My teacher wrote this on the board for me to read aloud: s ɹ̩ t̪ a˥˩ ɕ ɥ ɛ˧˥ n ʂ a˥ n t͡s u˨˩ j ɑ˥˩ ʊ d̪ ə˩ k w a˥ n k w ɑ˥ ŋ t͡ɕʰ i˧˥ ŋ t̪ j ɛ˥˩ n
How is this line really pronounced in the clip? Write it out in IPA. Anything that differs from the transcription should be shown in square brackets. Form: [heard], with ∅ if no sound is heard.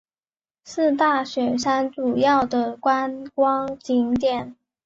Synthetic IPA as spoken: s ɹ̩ t̪ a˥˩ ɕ ɥ [ɛ˨˩] n ʂ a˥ n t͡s u˨˩ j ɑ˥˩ ʊ d̪ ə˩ k w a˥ n k w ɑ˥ ŋ [t͡ɕ] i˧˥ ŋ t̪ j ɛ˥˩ n